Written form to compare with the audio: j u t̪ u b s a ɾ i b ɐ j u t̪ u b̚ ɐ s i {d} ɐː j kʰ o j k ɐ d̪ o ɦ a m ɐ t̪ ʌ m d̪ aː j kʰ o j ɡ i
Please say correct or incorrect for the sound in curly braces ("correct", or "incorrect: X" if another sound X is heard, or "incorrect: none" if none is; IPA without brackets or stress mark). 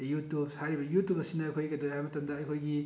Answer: incorrect: n